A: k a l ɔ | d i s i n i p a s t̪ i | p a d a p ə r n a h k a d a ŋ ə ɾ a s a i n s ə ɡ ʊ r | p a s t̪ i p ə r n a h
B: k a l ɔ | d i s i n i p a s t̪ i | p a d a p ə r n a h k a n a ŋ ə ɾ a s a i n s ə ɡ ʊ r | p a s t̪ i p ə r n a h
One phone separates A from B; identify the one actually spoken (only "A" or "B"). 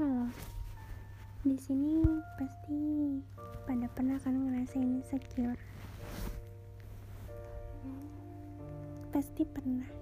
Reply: B